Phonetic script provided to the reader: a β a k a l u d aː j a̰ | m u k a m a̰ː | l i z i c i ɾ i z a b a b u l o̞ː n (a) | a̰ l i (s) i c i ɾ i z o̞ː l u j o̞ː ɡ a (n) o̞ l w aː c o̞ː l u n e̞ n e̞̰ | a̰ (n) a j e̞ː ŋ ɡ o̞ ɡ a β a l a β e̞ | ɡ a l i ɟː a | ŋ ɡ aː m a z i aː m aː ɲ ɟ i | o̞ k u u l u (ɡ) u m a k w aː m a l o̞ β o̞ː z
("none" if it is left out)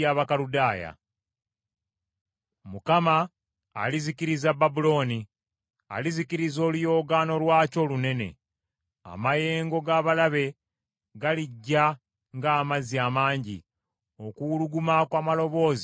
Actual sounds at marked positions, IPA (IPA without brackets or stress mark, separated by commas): i, z, n, m, ɡ